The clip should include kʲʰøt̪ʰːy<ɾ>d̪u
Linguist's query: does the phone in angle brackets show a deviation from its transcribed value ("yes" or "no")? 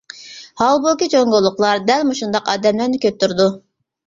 no